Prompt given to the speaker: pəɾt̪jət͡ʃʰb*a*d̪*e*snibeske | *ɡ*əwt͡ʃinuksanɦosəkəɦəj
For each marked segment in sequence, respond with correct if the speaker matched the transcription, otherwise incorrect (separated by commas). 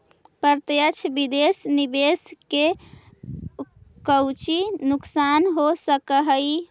incorrect, correct, incorrect